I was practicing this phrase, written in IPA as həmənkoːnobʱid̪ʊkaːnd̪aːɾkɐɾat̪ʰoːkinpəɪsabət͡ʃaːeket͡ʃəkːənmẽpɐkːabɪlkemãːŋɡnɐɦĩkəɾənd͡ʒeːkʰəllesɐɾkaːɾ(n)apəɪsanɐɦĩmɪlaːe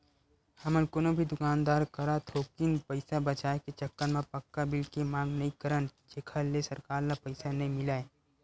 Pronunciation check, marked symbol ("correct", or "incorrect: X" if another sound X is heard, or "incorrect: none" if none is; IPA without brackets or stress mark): correct